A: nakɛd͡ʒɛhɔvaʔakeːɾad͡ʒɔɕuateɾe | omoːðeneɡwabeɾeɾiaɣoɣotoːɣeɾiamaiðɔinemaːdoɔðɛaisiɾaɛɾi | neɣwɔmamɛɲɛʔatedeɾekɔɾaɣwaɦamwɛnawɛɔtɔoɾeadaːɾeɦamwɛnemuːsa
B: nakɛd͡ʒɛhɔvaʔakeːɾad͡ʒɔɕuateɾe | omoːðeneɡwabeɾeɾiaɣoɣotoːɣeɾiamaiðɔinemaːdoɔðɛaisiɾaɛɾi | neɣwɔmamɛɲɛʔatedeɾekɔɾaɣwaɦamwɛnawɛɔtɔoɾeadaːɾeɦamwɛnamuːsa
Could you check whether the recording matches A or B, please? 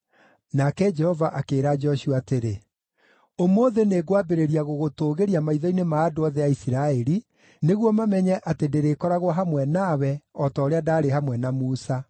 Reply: B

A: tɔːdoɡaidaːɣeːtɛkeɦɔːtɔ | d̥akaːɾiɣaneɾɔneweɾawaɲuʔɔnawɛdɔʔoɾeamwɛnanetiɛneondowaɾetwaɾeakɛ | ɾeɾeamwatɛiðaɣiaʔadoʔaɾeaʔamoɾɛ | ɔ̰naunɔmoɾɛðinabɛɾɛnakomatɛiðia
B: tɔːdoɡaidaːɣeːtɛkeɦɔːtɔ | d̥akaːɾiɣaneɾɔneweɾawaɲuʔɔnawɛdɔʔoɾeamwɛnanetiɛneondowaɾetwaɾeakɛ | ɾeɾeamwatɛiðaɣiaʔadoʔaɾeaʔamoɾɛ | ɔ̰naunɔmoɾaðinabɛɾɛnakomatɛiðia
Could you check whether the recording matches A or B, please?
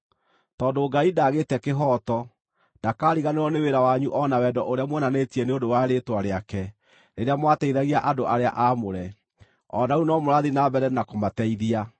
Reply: B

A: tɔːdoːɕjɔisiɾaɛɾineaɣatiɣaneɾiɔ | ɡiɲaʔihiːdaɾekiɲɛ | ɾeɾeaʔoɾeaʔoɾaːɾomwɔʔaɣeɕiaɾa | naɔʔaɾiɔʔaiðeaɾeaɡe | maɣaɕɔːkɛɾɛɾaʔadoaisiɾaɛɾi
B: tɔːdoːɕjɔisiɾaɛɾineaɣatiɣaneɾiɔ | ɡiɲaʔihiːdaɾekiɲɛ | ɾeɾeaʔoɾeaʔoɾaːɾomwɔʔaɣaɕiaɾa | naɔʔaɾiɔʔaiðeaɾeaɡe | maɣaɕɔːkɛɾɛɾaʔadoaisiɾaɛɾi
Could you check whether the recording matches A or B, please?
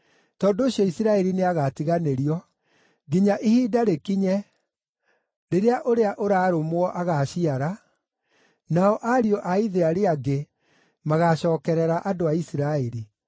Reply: B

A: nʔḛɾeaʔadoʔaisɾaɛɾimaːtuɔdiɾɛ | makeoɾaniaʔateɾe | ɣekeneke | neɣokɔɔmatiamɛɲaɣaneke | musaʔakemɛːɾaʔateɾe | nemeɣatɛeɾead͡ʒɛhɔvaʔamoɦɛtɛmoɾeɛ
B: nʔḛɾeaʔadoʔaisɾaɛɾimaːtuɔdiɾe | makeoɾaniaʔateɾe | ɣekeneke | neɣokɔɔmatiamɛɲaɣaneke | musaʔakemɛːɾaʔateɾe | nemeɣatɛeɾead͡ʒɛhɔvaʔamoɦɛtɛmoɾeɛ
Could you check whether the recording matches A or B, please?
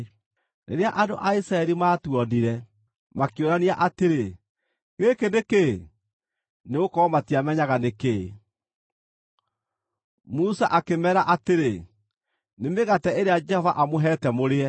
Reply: A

